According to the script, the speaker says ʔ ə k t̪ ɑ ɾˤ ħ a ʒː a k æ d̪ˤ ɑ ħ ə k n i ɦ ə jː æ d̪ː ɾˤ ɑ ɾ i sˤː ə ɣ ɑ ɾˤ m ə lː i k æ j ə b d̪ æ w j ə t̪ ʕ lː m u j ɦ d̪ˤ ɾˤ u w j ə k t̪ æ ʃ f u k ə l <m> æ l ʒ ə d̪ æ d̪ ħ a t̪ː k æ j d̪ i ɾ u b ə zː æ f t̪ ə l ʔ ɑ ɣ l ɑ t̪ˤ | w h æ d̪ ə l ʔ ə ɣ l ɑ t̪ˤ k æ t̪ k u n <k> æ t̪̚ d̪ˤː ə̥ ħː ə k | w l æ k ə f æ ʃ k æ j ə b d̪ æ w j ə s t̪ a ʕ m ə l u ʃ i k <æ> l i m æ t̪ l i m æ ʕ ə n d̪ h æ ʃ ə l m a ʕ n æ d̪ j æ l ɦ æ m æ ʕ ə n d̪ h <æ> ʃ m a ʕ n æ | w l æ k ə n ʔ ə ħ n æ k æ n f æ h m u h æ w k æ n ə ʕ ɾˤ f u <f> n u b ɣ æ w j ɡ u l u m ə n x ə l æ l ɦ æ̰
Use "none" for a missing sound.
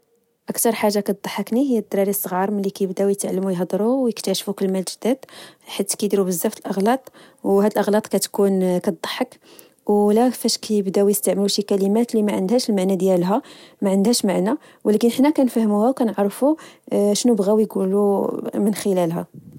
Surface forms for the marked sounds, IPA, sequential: m, k, æ, æ, ʃ

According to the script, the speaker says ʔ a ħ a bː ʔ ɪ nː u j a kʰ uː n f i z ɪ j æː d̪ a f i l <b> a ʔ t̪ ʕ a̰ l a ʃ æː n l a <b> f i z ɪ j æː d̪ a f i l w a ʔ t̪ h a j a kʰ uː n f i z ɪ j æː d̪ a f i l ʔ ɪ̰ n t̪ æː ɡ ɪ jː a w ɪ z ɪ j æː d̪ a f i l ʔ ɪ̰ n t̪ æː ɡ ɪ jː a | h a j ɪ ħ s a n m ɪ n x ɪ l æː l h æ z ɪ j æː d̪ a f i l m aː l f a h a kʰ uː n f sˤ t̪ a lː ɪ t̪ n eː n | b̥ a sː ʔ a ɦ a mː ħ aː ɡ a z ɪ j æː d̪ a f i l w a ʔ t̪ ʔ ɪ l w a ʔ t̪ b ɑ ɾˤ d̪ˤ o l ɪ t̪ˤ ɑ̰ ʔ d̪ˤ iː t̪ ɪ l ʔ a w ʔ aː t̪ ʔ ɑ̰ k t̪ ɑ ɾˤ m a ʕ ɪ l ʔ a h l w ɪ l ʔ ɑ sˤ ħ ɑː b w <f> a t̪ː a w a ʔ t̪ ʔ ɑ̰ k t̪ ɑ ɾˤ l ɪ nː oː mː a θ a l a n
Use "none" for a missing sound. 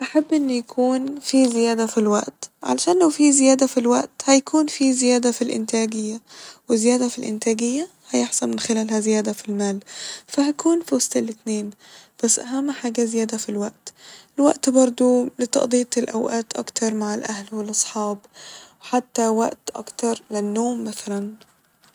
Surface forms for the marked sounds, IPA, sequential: w, w, ħ

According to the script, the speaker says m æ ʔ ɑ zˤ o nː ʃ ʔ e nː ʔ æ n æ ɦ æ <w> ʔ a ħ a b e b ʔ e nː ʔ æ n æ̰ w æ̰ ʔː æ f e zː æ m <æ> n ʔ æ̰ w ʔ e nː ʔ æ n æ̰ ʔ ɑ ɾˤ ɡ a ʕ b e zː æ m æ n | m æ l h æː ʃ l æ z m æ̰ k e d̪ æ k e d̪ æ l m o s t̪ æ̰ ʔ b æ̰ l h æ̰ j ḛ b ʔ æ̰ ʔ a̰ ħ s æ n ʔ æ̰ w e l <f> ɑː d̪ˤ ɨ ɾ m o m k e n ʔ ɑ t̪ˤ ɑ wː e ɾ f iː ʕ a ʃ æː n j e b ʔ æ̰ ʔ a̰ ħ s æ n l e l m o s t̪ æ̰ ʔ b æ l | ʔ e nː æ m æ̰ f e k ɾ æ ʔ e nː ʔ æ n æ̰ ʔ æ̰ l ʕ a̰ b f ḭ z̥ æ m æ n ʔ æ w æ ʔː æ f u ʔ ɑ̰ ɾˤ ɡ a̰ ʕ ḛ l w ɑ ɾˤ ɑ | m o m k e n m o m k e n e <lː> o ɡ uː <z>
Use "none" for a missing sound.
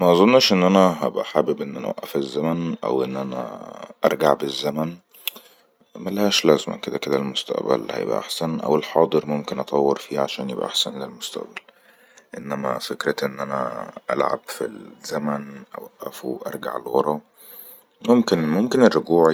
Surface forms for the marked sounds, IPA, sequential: b, æ, ħ, rː, ʕ

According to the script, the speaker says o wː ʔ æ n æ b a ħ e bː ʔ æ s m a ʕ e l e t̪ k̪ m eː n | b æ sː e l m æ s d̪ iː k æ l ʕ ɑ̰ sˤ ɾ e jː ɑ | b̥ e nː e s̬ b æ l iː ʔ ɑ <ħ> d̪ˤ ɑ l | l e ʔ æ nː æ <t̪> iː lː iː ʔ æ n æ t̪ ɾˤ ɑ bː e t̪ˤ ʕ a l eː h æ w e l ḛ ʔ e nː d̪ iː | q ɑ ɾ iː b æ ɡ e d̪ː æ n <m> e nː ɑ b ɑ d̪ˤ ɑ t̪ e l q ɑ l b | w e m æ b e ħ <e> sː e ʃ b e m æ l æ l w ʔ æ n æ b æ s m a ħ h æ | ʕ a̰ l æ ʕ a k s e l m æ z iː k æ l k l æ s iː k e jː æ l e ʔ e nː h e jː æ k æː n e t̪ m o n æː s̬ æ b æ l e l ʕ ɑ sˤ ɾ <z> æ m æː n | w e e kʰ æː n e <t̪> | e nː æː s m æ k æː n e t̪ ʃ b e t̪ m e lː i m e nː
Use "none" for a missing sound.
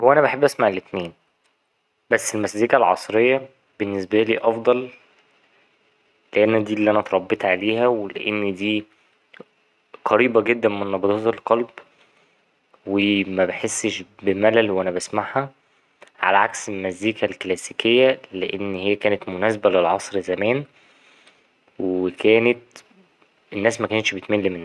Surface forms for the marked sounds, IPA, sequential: f, d̪, m, e, z, t̪

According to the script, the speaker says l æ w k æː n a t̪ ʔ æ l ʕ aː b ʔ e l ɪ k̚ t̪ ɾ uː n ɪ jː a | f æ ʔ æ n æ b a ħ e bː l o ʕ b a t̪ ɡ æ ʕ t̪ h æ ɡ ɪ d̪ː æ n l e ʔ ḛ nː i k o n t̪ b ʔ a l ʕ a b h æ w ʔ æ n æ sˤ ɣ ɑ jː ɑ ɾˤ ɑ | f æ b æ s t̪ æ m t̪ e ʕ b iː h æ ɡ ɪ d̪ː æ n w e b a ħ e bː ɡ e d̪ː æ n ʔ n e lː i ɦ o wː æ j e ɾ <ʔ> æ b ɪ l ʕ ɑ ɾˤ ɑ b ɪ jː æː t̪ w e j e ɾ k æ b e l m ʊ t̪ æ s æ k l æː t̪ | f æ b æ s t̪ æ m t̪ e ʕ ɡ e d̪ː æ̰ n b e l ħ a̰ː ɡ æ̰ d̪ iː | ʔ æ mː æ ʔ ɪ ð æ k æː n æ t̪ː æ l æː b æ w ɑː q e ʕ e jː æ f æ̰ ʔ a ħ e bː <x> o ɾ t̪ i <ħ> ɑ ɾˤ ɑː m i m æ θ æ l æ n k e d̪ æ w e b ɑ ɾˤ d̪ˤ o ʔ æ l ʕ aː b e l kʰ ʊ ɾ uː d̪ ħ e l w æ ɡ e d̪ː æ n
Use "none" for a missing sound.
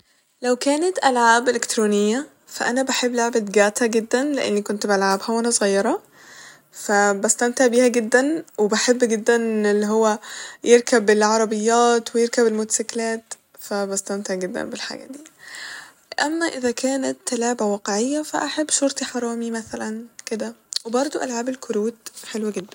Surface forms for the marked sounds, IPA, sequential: k, ʃ, ħ

